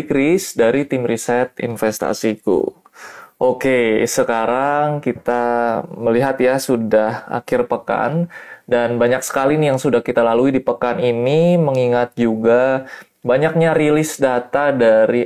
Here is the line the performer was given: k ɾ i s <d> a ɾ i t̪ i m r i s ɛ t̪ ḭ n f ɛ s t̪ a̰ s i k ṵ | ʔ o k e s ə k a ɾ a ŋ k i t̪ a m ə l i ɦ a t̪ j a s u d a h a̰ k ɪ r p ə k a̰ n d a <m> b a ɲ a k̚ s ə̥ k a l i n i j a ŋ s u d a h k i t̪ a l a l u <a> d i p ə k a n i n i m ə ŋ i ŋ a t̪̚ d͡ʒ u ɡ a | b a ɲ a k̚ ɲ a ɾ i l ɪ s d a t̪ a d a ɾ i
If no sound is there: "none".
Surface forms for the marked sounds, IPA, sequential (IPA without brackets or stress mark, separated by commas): d, n, i